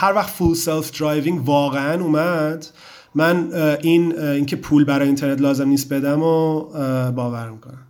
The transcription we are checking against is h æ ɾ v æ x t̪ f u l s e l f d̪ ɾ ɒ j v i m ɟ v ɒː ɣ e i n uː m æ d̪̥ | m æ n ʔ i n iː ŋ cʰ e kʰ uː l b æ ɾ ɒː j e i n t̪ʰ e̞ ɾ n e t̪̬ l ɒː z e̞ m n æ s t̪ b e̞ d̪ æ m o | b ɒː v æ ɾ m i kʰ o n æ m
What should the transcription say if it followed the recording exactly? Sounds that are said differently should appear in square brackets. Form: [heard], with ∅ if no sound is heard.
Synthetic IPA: h æ ɾ v æ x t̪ f u l s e l f d̪ ɾ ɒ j v i [ŋ] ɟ v ɒː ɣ e [æ] n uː m æ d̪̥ | m æ n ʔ i n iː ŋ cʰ e [pʰ] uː l b æ ɾ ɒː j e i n t̪ʰ e̞ ɾ n e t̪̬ l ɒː z e̞ m n [i] s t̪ b e̞ d̪ æ m o | b ɒː v æ ɾ m i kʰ o n æ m